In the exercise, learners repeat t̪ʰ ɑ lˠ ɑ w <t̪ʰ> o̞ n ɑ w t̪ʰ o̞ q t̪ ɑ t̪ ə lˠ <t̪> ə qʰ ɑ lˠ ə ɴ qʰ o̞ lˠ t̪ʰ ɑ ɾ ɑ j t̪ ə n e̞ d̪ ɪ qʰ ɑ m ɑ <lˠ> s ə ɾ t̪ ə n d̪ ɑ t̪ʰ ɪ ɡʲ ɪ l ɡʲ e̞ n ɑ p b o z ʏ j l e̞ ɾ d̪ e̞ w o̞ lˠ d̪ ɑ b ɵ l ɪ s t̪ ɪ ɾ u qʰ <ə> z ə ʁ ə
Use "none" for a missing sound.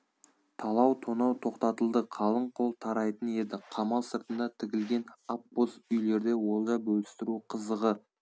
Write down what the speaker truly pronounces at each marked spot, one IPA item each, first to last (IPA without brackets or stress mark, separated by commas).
t̪ʰ, d̪, lˠ, ə